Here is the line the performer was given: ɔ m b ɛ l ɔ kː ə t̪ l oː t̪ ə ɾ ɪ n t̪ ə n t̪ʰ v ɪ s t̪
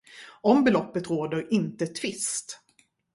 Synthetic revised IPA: ɔ m b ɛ l ɔ pː ə t̪ ɾ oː d̪ ə ɾ ɪ n t̪ ə t̪ʰ v ɪ s t̪